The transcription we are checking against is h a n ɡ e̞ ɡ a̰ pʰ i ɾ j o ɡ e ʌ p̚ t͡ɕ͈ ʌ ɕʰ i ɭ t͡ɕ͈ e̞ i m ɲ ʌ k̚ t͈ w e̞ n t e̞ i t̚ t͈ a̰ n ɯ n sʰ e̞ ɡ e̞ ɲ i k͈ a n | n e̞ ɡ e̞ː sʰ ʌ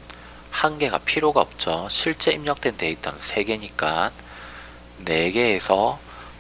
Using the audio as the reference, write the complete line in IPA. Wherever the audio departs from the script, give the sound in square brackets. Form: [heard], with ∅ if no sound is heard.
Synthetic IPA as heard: h a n ɡ e̞ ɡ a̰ pʰ i ɾ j o ɡ [a] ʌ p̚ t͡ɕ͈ ʌ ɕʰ i ɭ t͡ɕ͈ e̞ i m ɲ ʌ k̚ t͈ w e̞ n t e̞ i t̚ t͈ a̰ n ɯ n sʰ e̞ ɡ e̞ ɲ i k͈ a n | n e̞ ɡ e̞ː sʰ ʌ